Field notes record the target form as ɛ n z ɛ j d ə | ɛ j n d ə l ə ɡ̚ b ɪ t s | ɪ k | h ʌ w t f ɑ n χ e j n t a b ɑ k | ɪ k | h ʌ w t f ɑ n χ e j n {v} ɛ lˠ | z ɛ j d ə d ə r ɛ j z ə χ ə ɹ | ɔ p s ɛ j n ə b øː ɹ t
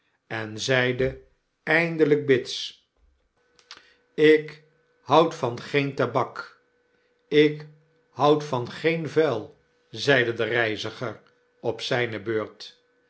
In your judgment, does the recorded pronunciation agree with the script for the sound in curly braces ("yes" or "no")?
yes